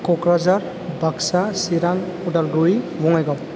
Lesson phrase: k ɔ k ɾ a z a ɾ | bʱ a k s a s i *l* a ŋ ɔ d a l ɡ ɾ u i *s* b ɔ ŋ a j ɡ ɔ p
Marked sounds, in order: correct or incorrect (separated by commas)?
incorrect, incorrect